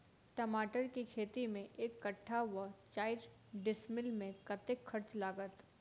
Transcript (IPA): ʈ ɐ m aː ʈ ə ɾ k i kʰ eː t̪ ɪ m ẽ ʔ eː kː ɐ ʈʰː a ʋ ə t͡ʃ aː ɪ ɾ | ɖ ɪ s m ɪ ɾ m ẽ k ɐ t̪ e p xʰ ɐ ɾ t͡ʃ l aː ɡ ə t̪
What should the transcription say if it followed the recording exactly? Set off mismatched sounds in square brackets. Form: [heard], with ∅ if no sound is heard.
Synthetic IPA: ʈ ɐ m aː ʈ ə ɾ k i kʰ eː t̪ [i] m ẽ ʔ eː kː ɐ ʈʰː a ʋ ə t͡ʃ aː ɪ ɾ | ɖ ɪ s m ɪ [l] m ẽ k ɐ t̪ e [k] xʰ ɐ ɾ t͡ʃ l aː ɡ ə t̪

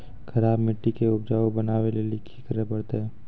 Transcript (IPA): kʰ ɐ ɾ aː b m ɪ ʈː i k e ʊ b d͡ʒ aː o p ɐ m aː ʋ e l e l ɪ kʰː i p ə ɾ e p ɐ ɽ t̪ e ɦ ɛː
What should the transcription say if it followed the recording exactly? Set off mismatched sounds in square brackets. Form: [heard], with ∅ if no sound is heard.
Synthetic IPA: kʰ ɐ ɾ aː b m ɪ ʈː i k e ʊ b d͡ʒ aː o [b] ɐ [n] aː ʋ e l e l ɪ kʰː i [k] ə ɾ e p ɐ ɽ t̪ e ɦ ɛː

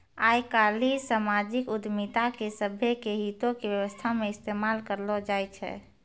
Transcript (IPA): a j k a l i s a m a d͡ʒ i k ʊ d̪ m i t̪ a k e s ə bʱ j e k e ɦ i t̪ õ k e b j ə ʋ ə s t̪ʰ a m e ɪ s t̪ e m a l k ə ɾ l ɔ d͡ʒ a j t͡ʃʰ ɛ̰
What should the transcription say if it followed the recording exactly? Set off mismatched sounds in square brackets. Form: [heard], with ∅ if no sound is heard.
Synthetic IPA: a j k a l i s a m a d͡ʒ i k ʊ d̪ m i t̪ a k e s ə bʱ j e k e ɦ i t̪ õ k e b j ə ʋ ə s t̪ʰ a m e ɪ s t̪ e m a l k ə ɾ l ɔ d͡ʒ a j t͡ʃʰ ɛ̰

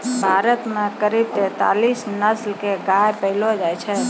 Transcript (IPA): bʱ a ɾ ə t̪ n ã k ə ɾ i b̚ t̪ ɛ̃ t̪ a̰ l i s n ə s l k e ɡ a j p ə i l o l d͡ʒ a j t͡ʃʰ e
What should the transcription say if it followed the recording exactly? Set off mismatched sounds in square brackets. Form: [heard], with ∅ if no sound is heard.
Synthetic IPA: bʱ a ɾ ə t̪ [m] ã k ə ɾ i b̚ t̪ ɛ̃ t̪ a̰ l i s n ə s l k e ɡ a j p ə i l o [∅] d͡ʒ a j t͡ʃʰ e

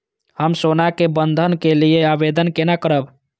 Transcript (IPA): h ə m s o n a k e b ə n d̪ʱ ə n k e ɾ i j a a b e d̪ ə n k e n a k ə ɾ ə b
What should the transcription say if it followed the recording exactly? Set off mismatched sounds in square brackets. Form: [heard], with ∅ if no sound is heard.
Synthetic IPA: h ə m s o n a k e b ə n d̪ʱ ə n k e [l] i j [e] a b e d̪ ə n k e n a k ə ɾ ə b

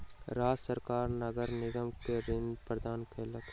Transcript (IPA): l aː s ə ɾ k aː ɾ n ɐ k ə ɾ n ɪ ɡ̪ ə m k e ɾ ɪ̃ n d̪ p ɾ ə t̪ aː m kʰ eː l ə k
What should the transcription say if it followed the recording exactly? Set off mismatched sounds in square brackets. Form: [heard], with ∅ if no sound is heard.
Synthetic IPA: [ɾ] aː s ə ɾ k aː ɾ n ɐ [ɡ] ə ɾ n ɪ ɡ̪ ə m k e ɾ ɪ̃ n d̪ p ɾ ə [d̪] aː [n] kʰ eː l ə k

